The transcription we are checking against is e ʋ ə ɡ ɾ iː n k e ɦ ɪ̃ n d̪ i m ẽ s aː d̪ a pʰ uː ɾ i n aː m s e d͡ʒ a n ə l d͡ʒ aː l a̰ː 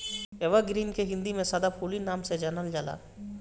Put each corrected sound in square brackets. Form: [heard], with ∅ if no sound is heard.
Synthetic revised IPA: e ʋ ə ɡ ɾ iː n k e ɦ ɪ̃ n d̪ i m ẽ s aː d̪ a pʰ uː [l] i n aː m s e d͡ʒ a n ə l d͡ʒ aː l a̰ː